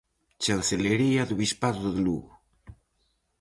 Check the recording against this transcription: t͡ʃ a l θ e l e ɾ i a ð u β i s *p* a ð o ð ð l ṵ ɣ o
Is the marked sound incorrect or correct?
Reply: correct